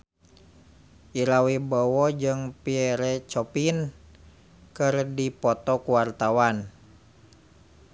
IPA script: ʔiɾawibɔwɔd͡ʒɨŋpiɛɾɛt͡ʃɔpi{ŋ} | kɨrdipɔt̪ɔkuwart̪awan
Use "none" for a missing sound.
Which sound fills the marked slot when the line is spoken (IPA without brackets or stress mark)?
n